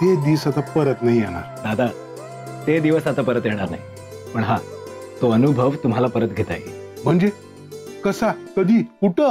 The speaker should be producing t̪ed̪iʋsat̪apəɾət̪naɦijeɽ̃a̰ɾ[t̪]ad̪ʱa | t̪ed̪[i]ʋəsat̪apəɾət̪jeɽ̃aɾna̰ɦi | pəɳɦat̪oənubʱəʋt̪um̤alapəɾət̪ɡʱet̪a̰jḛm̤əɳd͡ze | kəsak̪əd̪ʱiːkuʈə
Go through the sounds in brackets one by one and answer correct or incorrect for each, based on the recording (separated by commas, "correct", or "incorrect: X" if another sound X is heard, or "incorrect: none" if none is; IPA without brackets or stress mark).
incorrect: d̪, correct